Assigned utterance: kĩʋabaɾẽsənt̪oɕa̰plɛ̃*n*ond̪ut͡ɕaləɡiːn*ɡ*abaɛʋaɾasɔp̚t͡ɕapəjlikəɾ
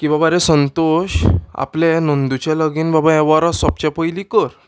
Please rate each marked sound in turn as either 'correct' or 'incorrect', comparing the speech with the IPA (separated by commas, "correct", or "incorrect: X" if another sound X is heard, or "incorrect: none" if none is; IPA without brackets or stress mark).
correct, incorrect: b